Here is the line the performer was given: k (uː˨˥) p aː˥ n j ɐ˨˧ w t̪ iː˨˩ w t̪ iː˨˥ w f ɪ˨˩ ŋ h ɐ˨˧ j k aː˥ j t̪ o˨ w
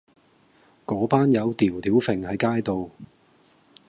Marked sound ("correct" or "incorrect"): incorrect